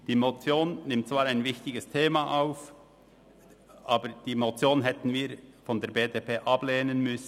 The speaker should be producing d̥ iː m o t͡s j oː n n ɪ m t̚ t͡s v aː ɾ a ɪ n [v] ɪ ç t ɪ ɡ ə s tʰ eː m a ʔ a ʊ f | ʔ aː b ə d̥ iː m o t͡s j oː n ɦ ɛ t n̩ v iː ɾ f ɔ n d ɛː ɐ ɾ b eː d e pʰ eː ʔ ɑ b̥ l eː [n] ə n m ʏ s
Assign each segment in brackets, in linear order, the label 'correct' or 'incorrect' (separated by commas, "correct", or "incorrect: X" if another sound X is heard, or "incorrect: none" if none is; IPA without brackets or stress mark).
correct, correct